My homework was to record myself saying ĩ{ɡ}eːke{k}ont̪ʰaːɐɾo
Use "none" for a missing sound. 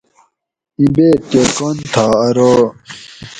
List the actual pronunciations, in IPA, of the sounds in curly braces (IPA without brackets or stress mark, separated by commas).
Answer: b, k